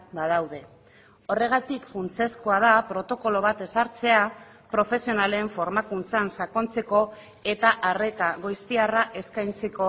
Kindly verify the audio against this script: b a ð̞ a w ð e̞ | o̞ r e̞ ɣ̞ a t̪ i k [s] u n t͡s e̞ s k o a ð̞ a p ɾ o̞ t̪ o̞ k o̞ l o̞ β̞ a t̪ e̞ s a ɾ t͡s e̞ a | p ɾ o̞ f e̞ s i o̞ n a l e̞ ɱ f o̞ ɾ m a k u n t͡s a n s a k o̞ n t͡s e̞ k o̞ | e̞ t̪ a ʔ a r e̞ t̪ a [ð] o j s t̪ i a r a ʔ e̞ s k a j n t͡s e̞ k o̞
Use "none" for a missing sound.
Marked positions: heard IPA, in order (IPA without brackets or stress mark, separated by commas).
f, ɣ